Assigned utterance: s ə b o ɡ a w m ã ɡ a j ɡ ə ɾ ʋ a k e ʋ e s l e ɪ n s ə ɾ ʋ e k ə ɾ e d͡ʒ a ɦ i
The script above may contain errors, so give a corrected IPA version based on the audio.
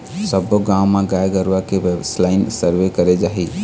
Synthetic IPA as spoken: s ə b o ɡ a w m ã ɡ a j ɡ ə ɾ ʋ a k e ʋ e s l a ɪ n s ə ɾ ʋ e k ə ɾ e d͡ʒ a ɦ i